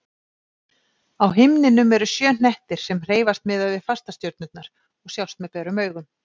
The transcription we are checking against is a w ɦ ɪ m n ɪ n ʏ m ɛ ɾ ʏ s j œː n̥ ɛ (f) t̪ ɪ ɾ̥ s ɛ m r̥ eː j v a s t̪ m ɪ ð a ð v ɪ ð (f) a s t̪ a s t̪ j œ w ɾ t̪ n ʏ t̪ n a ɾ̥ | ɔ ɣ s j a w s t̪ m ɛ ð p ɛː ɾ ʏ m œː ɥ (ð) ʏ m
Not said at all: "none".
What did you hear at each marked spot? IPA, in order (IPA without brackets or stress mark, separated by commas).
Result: h, f, ɣ